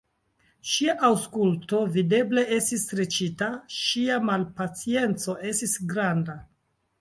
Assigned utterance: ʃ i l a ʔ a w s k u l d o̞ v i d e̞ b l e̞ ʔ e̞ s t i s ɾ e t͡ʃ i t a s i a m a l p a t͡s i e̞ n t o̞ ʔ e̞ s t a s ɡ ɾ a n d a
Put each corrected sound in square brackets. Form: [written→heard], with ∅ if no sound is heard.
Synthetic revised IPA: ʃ i [l→∅] a ʔ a w s k u l [d→t] o̞ v i d e̞ b l e̞ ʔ e̞ s t i s ɾ e t͡ʃ i t a [s→ʃ] i a m a l p a t͡s i e̞ n [t→t͡s] o̞ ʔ e̞ s t [a→i] s ɡ ɾ a n d a